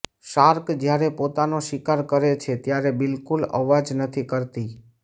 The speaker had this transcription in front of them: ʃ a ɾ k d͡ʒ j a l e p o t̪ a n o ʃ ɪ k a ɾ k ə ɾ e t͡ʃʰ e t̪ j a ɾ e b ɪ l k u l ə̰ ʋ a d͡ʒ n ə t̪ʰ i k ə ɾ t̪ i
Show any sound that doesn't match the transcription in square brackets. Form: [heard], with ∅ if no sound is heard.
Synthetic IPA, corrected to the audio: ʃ a ɾ k d͡ʒ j a [ɾ] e p o t̪ a n o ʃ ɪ k a ɾ k ə ɾ e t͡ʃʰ e t̪ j a ɾ e b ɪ l k u l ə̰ ʋ a d͡ʒ n ə t̪ʰ i k ə ɾ t̪ i